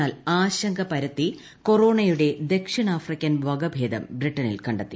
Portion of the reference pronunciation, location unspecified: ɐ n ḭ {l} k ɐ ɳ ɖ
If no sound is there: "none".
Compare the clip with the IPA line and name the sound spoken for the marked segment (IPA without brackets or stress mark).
l